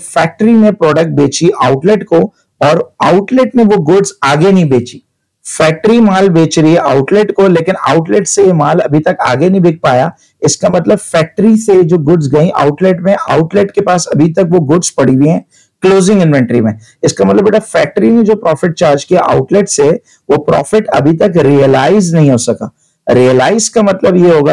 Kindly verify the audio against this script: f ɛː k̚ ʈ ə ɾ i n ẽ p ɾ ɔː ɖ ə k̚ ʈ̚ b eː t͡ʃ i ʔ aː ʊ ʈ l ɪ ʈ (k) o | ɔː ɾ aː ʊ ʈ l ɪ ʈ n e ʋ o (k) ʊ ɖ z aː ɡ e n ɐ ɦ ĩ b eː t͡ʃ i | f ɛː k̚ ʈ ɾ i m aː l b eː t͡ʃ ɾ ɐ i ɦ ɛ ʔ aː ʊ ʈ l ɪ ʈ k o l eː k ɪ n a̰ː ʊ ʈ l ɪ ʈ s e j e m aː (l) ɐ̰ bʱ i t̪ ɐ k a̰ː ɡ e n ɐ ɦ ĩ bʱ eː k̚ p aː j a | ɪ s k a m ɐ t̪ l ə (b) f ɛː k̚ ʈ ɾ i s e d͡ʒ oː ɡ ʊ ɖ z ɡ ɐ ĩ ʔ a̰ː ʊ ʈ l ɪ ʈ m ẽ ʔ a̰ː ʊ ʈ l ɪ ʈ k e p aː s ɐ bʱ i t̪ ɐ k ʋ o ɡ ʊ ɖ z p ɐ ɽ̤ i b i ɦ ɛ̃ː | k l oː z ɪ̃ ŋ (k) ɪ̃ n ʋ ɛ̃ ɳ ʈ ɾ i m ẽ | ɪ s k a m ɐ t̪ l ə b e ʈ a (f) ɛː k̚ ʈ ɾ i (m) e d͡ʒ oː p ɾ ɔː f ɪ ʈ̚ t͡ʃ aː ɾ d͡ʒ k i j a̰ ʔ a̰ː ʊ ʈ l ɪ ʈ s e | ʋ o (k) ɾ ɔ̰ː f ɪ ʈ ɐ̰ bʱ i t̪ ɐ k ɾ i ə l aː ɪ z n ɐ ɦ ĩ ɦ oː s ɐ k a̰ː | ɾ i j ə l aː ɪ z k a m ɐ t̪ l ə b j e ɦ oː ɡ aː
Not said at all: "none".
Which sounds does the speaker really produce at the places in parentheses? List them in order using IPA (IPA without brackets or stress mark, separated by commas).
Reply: k, ɡ, l, b, ɡ, f, n, p